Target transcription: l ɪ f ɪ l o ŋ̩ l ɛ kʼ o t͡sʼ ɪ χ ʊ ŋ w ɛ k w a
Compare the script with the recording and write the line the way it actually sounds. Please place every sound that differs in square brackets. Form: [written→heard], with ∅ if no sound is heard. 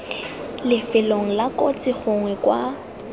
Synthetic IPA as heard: l ɪ f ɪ l o ŋ̩ l [ɛ→a] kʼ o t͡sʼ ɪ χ ʊ ŋ w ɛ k w a